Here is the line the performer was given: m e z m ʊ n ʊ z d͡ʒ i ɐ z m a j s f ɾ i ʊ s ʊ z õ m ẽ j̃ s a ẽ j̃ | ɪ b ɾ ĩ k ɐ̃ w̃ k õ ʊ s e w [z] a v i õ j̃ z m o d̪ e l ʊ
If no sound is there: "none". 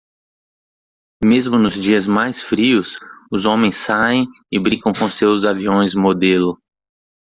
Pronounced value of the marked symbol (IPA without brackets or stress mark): z